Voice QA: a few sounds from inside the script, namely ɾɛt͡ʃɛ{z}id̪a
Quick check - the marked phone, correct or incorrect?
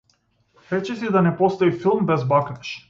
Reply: incorrect